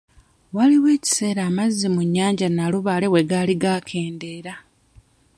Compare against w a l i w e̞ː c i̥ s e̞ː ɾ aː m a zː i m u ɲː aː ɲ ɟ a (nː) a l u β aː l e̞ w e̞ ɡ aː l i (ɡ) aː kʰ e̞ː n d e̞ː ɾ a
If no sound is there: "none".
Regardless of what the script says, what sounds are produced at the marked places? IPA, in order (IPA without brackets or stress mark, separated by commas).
n, ɡ